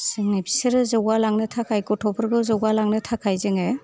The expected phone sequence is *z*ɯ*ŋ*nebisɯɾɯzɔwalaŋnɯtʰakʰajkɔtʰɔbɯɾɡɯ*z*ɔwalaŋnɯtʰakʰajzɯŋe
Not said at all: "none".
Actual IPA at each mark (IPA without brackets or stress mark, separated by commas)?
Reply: s, ŋ, z